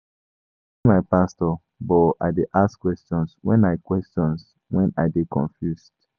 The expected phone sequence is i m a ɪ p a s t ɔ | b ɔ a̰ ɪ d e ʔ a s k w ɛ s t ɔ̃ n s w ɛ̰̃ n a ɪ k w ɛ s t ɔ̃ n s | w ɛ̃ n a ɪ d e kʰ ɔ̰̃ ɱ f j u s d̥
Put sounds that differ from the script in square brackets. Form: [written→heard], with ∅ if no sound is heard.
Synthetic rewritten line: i m a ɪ p a s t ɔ | b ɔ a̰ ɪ d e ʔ a s k w ɛ s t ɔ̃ n s w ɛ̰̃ n a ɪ k w ɛ s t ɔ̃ n s | w ɛ̃ n a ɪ d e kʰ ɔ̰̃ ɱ f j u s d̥